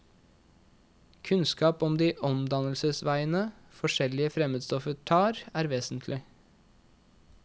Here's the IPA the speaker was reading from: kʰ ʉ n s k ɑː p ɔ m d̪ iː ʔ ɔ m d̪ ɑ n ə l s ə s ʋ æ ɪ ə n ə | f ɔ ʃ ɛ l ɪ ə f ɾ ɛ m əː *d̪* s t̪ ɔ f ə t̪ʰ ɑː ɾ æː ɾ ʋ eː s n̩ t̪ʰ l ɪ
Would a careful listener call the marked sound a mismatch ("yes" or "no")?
no